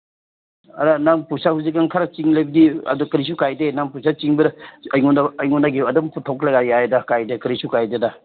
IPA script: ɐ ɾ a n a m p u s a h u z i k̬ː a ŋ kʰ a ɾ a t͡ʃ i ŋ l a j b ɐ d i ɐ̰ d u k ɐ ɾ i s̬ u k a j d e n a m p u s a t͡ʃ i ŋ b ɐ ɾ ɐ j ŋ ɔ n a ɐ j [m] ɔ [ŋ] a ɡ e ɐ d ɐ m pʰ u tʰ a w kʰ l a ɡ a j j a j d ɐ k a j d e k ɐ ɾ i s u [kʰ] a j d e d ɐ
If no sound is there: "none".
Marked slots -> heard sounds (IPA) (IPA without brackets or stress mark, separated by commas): ŋ, n, k